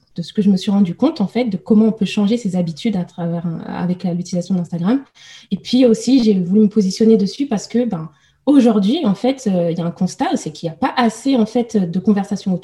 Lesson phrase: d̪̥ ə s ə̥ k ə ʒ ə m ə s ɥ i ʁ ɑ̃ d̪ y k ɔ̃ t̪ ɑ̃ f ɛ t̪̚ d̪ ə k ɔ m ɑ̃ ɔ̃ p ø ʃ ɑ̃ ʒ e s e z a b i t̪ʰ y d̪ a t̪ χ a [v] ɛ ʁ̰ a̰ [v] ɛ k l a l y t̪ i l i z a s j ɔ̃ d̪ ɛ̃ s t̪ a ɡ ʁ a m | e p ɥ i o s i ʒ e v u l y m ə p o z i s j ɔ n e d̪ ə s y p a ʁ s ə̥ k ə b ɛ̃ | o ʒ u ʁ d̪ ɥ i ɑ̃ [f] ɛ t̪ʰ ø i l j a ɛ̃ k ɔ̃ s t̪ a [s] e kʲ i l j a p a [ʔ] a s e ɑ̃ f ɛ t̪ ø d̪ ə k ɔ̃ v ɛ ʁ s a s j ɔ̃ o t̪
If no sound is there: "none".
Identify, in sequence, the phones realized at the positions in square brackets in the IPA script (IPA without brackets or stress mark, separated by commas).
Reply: v, v, f, s, ʔ